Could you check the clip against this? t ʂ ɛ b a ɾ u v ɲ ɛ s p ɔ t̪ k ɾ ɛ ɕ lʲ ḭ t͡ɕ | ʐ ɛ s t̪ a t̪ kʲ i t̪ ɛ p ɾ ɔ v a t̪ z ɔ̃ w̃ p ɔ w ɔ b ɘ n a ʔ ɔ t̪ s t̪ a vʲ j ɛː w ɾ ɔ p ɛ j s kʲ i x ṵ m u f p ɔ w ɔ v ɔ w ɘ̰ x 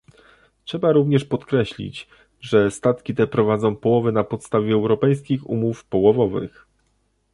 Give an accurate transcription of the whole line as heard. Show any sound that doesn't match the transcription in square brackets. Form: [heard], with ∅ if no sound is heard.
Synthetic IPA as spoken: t ʂ ɛ b a ɾ u v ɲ ɛ [ʂ] p ɔ t̪ k ɾ ɛ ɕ lʲ ḭ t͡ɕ | ʐ ɛ s t̪ a t̪ kʲ i t̪ ɛ p ɾ ɔ v a [d̪] z ɔ̃ w̃ p ɔ w ɔ [v] ɘ n a [p] ɔ t̪ s t̪ a vʲ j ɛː w ɾ ɔ p ɛ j s kʲ i x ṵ m u f p ɔ w ɔ v ɔ [v] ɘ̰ x

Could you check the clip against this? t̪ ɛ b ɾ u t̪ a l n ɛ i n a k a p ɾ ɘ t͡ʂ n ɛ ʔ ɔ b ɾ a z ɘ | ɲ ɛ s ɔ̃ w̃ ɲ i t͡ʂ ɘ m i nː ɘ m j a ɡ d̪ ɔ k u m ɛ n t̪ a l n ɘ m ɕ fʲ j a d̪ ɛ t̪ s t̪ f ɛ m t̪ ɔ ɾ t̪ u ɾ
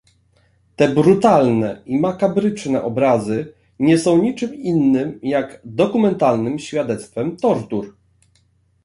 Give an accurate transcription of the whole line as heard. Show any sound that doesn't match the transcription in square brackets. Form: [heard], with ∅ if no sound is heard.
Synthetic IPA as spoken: t̪ ɛ b ɾ u t̪ a l n ɛ i [m] a k a [b] ɾ ɘ t͡ʂ n ɛ ʔ ɔ b ɾ a z ɘ | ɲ ɛ s ɔ̃ w̃ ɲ i t͡ʂ ɘ m i nː ɘ m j a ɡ d̪ ɔ k u m ɛ n t̪ a l n ɘ m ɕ fʲ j a d̪ ɛ t̪ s t̪ f ɛ m t̪ ɔ ɾ t̪ u ɾ

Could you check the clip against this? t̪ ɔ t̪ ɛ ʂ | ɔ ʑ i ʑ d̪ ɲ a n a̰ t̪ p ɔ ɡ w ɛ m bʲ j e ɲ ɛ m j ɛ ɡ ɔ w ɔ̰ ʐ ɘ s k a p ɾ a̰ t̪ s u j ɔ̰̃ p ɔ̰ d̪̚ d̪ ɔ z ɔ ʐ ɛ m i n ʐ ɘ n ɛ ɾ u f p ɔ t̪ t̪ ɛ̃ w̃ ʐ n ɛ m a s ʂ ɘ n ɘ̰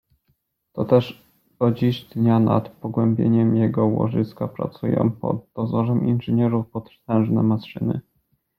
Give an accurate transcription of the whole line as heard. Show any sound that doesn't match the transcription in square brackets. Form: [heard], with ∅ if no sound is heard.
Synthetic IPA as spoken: t̪ ɔ t̪ ɛ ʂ | ɔ [d͡ʑ] i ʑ d̪ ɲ a n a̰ t̪ p ɔ ɡ w ɛ m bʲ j e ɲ ɛ m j ɛ ɡ ɔ w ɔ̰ ʐ ɘ s k a p ɾ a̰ t̪ s u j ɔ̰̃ p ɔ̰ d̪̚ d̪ ɔ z ɔ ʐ ɛ m i n ʐ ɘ [ɲ] ɛ ɾ u f p ɔ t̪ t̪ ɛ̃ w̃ ʐ n ɛ m a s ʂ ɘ n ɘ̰

